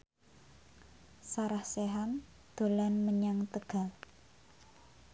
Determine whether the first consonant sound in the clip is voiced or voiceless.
voiceless